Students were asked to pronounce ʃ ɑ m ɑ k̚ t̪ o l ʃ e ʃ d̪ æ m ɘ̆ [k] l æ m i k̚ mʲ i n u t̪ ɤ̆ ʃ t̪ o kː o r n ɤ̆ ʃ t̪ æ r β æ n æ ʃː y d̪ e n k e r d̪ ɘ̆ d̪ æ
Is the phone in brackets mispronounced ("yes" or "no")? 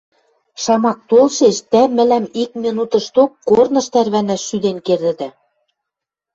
yes